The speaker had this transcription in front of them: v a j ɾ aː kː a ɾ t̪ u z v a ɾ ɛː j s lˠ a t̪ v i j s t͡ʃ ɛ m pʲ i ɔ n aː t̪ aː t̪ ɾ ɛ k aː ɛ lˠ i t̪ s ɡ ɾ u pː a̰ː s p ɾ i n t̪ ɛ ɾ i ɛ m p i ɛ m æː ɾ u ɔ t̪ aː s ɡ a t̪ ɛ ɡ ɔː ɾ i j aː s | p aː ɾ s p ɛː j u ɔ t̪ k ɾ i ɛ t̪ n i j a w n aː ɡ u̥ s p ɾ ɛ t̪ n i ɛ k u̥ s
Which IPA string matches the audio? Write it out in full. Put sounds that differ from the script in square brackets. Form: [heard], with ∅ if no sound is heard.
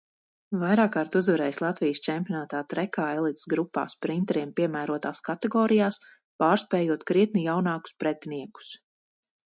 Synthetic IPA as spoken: v a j ɾ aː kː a ɾ t̪ u z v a ɾ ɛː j s lˠ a t̪ v i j s t͡ʃ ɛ m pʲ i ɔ n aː t̪ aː t̪ ɾ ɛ k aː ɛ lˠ i t̪ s ɡ ɾ u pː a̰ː s p ɾ i n t̪ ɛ ɾ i ɛ m p i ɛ m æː ɾ u ɔ t̪ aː s [k] a t̪ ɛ ɡ ɔː ɾ i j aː s | p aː ɾ s p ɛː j u ɔ t̪ k ɾ i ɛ t̪ n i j a w n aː [k] u̥ s p ɾ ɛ t̪ n i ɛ k u̥ s

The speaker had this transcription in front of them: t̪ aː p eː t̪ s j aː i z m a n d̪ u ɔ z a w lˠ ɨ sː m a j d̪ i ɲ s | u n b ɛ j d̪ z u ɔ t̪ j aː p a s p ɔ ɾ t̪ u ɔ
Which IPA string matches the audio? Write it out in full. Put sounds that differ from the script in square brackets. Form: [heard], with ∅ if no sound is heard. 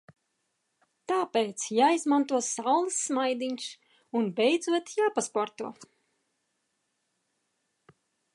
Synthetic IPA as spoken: t̪ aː p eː t̪ s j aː i z m a n [t̪] u ɔ [s] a w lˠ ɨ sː m a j d̪ i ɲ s | u n b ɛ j d̪ z u ɔ t̪ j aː p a s p ɔ ɾ t̪ u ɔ

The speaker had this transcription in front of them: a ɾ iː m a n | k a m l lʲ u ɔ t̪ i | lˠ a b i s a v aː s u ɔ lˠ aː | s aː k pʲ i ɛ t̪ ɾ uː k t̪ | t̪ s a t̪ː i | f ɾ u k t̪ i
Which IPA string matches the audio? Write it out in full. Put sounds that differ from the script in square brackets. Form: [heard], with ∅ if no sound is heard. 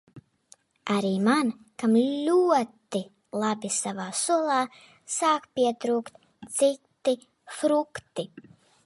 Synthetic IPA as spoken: a ɾ iː m a n | k a m l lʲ u ɔ t̪ i | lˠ a b i s a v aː s u ɔ lˠ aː | s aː k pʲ i ɛ t̪ ɾ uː k t̪ | t̪ s [i] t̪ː i | f ɾ u k t̪ i

